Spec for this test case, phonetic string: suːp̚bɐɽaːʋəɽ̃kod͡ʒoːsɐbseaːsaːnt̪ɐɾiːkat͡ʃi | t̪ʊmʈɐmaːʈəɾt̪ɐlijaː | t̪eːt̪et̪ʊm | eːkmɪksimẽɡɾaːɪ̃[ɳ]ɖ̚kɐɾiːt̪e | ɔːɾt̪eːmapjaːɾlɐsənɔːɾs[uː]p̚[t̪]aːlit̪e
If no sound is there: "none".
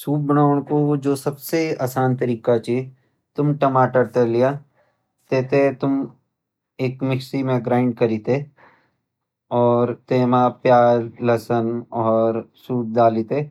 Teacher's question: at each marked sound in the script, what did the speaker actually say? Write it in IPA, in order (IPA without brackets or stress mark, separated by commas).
ɳ, uː, d̪